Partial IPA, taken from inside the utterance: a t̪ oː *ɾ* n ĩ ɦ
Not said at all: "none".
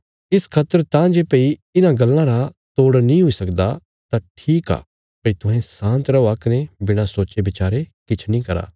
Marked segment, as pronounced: ɽ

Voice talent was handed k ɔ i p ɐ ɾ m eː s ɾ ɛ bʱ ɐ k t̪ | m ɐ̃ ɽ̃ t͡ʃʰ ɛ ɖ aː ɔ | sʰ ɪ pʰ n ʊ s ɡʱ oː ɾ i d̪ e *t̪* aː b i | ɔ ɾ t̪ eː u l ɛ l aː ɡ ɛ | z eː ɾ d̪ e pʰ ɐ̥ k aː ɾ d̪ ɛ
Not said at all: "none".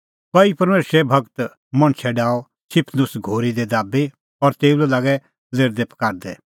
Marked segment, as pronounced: d̪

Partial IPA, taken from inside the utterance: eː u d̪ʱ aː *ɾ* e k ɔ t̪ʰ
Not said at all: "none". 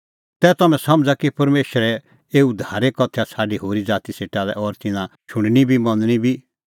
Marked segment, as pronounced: ɾ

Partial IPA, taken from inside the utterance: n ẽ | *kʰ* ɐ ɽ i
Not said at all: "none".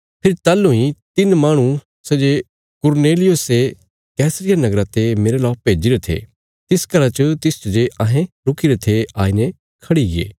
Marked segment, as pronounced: kʰ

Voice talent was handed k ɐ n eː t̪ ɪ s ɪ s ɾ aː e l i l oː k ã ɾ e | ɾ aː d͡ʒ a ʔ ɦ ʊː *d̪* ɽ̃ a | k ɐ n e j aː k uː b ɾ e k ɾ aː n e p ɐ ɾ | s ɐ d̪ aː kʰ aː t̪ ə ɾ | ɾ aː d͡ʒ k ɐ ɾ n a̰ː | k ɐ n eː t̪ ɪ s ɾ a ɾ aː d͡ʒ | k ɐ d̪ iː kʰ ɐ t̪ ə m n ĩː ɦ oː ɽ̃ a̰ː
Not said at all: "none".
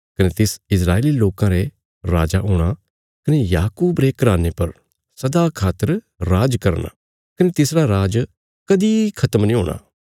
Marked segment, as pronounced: none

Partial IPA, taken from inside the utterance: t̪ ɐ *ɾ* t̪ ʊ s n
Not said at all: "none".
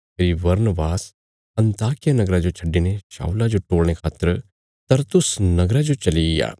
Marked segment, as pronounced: ɾ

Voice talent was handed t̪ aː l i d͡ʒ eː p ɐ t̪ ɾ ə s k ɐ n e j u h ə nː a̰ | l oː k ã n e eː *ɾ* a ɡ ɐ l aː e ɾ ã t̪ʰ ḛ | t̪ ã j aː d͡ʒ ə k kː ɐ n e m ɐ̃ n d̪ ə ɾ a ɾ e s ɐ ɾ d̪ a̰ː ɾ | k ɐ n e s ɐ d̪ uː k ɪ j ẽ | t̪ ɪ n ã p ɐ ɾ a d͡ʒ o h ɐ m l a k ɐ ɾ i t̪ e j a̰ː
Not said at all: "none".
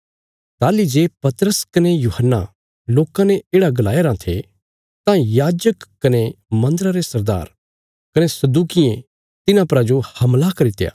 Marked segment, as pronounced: ɽ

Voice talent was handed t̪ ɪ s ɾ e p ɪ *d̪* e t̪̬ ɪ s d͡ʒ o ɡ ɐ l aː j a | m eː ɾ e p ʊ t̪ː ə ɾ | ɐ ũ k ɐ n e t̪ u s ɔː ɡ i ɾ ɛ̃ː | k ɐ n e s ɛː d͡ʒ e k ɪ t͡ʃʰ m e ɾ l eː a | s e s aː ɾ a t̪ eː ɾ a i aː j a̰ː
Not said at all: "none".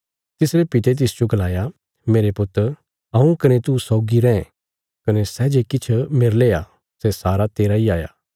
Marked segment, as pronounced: t̪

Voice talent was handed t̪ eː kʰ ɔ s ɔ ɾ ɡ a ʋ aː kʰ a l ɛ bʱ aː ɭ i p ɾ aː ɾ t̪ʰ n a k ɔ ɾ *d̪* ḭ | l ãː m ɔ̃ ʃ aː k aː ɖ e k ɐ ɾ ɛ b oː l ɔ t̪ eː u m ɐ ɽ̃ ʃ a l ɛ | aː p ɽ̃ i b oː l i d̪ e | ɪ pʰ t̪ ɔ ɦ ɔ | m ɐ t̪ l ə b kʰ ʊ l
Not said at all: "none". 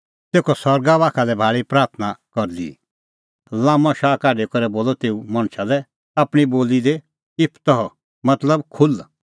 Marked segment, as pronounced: d̪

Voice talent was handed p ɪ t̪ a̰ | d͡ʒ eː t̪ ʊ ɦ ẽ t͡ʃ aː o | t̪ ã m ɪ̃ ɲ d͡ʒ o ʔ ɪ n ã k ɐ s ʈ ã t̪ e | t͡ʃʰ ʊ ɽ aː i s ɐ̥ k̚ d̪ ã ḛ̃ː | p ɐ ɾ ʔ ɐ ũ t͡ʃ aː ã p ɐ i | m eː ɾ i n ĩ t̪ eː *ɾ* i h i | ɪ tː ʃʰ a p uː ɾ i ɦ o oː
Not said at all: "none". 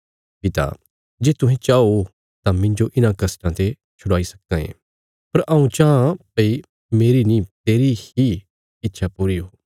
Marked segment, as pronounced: ɾ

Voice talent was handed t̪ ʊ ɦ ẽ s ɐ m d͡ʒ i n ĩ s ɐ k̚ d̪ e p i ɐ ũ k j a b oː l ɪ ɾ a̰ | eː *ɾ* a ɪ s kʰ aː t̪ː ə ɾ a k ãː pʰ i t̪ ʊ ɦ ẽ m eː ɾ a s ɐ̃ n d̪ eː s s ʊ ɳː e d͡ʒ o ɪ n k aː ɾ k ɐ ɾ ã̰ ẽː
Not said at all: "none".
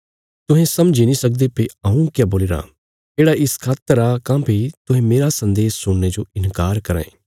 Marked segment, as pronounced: ɽ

